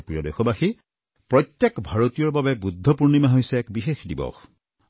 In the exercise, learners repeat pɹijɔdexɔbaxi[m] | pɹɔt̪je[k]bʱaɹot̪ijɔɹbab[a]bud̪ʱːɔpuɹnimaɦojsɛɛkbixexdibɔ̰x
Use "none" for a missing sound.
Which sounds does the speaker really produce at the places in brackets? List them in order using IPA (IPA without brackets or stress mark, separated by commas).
none, k, ɛ